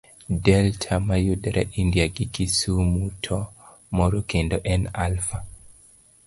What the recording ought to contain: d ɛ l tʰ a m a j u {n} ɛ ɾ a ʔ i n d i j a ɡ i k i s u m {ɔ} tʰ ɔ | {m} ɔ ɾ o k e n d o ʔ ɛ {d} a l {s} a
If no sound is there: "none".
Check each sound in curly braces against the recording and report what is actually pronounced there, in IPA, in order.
d, u, m, n, f

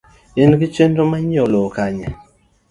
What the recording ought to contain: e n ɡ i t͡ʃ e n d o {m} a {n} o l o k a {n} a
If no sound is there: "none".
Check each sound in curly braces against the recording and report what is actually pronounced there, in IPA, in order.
m, ɲ, ɲ

